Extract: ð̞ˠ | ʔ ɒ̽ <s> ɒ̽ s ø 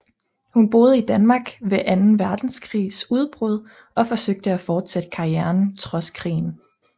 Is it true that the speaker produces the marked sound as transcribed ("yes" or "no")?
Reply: no